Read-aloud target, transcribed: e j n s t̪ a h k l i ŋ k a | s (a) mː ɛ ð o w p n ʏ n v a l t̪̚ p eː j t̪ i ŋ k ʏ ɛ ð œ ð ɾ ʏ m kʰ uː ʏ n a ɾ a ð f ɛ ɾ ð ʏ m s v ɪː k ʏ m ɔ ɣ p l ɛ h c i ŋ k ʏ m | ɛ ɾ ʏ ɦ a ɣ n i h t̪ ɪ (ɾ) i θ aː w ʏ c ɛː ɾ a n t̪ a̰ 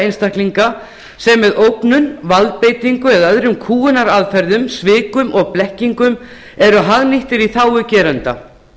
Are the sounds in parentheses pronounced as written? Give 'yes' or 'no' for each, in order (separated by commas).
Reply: no, yes